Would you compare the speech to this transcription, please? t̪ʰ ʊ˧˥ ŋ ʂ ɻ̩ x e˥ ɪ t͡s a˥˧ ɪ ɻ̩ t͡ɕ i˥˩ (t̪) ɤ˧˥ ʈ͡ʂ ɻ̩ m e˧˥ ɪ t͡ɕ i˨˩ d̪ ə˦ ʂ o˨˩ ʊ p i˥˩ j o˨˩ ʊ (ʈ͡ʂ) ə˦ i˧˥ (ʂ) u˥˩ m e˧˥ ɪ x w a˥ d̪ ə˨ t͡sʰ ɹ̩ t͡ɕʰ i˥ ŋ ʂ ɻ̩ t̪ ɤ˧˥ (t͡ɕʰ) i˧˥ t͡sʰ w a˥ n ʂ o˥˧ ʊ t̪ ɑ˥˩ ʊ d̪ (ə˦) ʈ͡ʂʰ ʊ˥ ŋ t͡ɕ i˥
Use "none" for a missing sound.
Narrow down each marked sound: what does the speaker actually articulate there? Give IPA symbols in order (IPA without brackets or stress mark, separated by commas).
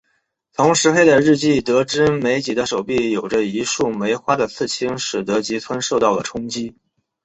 t̪, ʈ͡ʂ, ʂ, t͡ɕ, ə˩